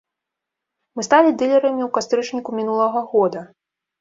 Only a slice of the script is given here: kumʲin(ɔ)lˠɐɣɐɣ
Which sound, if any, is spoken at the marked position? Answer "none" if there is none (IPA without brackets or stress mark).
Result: u